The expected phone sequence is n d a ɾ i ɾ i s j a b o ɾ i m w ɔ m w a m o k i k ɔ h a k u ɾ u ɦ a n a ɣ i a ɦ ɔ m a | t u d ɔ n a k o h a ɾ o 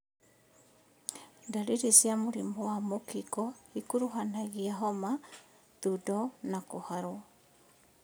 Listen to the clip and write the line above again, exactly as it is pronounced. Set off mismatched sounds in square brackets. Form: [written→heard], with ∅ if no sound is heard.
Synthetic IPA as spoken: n d a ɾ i ɾ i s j a [b→m] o ɾ i m [w→b] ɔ [m→∅] w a m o k i k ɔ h [a→i] k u ɾ u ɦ a n a ɣ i a ɦ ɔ m a | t u d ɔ n a k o h a ɾ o